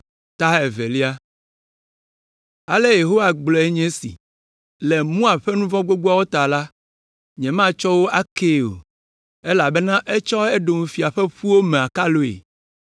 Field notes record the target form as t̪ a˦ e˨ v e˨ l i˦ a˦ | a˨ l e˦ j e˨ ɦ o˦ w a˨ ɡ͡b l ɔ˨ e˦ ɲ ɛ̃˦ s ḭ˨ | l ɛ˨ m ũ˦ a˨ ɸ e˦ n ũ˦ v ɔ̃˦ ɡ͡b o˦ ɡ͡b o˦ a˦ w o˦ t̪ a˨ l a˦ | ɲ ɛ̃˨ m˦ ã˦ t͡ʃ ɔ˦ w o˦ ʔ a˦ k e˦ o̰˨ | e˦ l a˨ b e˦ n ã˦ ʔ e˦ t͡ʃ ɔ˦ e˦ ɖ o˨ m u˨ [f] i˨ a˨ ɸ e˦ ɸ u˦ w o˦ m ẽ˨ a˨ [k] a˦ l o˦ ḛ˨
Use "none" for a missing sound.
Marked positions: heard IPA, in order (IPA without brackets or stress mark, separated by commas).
f, k